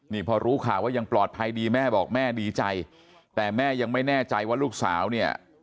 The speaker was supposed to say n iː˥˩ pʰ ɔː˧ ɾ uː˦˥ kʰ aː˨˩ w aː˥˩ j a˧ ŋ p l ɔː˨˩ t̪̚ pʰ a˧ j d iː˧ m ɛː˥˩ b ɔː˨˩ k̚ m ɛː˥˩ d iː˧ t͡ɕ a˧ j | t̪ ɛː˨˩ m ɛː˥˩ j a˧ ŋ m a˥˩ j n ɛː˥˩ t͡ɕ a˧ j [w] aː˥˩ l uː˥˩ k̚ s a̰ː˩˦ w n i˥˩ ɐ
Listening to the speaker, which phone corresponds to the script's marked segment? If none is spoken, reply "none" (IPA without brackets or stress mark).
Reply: w